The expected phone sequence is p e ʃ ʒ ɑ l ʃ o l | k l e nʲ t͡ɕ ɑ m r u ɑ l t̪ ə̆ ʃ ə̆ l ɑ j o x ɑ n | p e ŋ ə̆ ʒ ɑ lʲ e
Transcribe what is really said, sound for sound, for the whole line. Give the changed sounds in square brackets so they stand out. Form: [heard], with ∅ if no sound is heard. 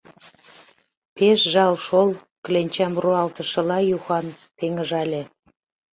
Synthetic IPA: p e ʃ ʒ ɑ l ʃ o l | k l e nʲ t͡ɕ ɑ m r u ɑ l t̪ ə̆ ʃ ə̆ l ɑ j [u] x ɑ n | p e ŋ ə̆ ʒ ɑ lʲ e